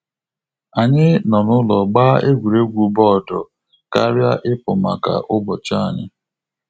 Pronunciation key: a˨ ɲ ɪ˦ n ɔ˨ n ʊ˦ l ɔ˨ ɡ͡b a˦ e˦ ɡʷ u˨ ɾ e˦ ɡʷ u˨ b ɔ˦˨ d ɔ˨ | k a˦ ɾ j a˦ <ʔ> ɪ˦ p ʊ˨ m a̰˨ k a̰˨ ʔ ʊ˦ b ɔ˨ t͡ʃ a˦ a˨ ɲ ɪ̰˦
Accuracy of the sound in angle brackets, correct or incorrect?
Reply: correct